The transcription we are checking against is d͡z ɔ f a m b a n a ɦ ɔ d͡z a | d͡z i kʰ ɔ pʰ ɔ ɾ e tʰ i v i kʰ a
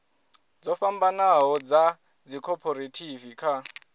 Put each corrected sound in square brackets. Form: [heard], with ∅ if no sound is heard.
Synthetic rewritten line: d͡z ɔ f a m b a n a ɦ ɔ d͡z a | d͡z i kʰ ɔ pʰ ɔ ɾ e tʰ i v i kʰ a